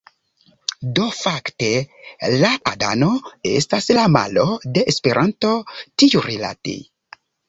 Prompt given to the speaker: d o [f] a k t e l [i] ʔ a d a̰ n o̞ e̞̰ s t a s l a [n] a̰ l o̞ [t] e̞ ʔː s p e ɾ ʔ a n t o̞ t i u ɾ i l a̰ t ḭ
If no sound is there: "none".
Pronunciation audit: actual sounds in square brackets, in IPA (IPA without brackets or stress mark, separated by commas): f, a, m, d